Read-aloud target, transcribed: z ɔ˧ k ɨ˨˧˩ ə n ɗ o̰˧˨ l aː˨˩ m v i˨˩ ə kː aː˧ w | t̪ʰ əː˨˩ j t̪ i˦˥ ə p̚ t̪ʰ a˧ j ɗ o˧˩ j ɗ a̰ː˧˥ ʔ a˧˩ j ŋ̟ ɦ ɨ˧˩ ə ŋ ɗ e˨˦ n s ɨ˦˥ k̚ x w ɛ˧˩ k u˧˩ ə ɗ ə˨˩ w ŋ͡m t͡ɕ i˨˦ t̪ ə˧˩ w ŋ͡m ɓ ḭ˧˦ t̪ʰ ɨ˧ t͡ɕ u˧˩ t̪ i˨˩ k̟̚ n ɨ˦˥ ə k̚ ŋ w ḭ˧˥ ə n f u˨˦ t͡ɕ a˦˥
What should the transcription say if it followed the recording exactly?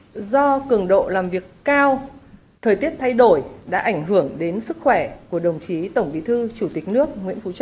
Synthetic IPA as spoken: z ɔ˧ k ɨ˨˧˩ ə ŋ ɗ o̰˧˨ l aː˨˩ m v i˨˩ ə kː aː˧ w | t̪ʰ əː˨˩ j t̪ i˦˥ ə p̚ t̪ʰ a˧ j ɗ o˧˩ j ɗ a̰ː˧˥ ʔ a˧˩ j ŋ̟ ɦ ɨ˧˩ ə ŋ ɗ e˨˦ n s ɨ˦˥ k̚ x w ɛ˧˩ k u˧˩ ə ɗ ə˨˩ w ŋ͡m t͡ɕ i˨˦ t̪ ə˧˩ w ŋ͡m ɓ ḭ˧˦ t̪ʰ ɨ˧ t͡ɕ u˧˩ t̪ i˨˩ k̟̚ n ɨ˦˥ ə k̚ ŋ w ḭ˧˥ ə n f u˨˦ t͡ɕ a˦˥